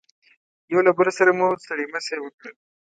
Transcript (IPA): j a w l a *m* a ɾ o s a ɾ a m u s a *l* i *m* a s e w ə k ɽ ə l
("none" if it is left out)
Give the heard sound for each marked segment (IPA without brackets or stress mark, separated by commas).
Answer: b, ɽ, m